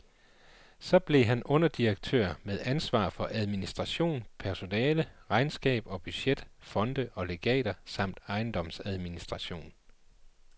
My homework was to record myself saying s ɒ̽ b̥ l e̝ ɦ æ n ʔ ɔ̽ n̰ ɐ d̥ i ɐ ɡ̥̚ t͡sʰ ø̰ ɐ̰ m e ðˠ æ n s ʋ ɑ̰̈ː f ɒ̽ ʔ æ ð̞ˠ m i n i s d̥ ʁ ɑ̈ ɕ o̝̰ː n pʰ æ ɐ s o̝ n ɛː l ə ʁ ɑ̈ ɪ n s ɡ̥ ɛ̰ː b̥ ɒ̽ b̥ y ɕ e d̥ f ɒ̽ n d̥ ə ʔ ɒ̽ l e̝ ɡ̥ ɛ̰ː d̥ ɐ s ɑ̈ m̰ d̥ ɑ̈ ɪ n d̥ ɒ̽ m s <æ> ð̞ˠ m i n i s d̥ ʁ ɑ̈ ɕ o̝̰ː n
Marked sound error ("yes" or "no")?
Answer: no